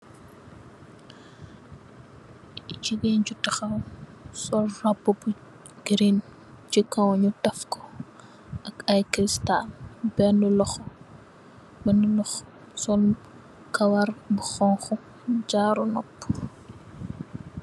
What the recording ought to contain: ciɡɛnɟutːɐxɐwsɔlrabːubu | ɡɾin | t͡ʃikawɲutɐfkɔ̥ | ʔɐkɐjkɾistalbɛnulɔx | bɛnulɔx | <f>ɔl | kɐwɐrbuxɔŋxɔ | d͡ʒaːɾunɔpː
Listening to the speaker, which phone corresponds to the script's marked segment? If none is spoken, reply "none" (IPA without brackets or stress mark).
s